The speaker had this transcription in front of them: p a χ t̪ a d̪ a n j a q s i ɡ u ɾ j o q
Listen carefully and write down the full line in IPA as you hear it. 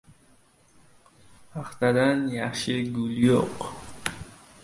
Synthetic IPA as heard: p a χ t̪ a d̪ a n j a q ʃ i ɡ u l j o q